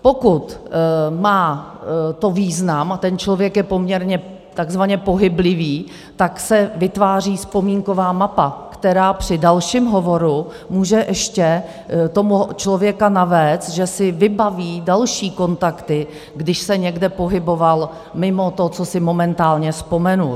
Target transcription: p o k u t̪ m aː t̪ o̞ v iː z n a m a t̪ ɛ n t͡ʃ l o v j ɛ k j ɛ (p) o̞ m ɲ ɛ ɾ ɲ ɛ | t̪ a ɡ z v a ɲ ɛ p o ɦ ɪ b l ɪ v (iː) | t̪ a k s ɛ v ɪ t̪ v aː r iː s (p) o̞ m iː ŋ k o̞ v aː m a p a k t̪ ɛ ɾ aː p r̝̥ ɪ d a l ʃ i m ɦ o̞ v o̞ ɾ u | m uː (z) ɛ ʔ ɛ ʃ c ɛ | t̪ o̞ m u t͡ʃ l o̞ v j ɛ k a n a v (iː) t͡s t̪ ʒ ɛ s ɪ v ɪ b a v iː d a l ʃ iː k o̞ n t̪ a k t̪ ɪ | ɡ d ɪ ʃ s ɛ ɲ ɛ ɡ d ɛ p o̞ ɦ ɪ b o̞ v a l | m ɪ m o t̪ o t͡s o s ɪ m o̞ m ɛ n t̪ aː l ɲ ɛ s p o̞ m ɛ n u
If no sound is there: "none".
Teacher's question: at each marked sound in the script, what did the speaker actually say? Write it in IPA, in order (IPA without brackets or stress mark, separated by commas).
p, iː, p, ʒ, ɛː